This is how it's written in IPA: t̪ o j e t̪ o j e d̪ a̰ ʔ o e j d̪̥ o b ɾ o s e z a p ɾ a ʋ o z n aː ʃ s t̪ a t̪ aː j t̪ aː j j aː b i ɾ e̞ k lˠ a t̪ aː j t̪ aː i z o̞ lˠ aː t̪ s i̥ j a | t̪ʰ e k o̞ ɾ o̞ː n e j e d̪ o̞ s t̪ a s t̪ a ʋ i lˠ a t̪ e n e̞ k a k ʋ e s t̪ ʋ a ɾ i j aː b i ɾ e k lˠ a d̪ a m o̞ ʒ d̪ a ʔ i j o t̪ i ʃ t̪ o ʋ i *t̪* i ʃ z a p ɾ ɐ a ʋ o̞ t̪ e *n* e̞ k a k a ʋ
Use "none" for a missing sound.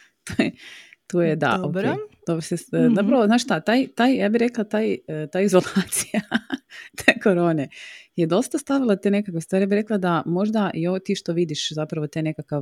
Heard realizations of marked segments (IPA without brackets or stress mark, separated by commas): d̪, n